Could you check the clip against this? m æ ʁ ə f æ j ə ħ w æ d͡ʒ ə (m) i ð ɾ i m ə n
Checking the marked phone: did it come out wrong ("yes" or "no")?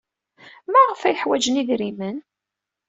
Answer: yes